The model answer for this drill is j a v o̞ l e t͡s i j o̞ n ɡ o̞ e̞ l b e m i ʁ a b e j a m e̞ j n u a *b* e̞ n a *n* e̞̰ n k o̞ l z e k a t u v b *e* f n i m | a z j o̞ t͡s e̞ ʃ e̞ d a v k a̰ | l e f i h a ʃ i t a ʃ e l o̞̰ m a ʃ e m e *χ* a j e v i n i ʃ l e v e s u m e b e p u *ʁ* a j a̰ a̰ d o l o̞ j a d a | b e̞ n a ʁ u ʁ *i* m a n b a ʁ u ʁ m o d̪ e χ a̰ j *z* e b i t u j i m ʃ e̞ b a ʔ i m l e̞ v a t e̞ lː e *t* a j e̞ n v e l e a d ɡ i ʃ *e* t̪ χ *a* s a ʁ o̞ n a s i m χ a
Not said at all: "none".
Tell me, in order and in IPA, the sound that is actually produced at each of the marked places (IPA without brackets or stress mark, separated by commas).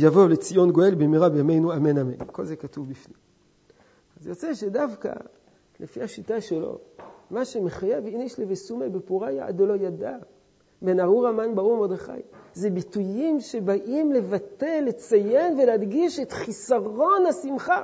m, m, i, χ, ʁ, a, z, t͡s, e, i